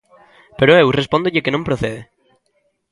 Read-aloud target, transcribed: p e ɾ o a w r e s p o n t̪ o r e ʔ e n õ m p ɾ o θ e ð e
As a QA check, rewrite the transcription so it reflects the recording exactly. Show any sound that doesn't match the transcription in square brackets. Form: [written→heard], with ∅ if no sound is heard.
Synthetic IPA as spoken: p e ɾ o [a→e] w r e s p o n [t̪→d̪] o [r→ʎ] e [ʔ→k] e n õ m p ɾ o θ e ð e